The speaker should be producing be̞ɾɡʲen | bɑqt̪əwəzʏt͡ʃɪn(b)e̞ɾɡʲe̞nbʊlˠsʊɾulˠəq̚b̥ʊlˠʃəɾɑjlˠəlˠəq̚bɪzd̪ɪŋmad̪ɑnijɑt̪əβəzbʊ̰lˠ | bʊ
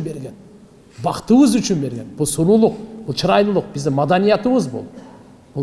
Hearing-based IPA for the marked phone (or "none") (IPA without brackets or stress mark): b